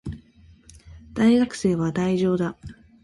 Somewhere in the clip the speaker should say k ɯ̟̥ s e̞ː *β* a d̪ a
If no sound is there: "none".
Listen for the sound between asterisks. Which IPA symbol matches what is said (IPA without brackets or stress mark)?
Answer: β